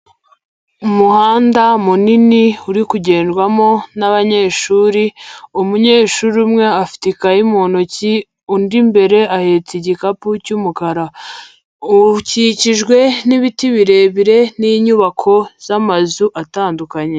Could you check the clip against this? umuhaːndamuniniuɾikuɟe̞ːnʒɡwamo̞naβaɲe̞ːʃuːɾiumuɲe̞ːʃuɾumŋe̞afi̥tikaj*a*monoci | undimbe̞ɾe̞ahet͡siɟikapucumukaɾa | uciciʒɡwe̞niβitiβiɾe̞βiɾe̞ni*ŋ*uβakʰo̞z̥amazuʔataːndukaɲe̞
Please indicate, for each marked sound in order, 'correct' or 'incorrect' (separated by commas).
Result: incorrect, incorrect